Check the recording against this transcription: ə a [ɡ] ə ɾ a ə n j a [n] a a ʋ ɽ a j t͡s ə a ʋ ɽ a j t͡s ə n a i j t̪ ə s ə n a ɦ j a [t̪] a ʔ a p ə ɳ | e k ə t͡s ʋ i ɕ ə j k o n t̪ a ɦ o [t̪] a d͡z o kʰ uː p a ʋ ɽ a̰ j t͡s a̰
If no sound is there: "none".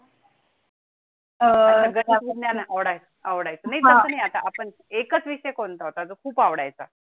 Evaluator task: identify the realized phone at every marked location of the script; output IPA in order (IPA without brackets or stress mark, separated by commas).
ɡ, n, t̪, t̪